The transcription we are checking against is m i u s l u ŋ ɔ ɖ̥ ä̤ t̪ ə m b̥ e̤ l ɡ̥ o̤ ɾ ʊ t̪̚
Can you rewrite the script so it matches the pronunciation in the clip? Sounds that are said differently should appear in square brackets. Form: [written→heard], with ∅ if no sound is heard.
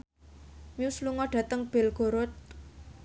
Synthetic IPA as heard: m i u s l u ŋ ɔ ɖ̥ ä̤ t̪ ə [m→ŋ] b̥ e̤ l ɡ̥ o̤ ɾ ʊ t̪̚